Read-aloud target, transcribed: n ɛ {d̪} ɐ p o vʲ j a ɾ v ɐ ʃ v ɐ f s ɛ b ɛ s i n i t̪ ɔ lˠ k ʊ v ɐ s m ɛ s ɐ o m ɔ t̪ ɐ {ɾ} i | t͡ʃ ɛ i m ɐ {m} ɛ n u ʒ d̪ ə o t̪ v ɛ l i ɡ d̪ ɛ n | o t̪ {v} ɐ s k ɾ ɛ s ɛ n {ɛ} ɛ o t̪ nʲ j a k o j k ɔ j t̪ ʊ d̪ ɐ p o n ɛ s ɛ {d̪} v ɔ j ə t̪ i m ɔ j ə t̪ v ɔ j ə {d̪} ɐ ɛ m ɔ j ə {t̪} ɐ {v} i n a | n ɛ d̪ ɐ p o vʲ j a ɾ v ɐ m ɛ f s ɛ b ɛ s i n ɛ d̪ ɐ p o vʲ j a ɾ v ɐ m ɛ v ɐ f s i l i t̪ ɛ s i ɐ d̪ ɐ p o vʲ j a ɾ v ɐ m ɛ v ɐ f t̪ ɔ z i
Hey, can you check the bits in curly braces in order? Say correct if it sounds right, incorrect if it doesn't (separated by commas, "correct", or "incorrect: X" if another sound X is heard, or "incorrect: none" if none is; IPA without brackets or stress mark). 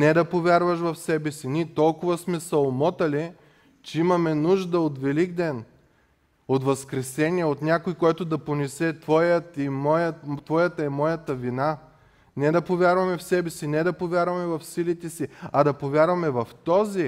correct, incorrect: l, correct, correct, incorrect: i, incorrect: t̪, incorrect: t̪, correct, correct